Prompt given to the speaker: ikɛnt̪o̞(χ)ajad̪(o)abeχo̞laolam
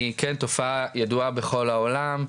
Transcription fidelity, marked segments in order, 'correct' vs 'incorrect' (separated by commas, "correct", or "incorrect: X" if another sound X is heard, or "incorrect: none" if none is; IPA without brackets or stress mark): incorrect: f, incorrect: u